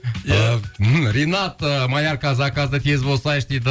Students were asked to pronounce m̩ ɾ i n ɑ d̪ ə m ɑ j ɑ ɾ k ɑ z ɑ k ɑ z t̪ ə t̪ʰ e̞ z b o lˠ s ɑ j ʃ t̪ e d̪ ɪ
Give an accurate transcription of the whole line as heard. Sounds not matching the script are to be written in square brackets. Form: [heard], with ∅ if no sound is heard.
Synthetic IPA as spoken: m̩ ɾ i n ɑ [t̪] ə m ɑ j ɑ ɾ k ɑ z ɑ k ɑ z [d̪] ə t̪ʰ e̞ z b o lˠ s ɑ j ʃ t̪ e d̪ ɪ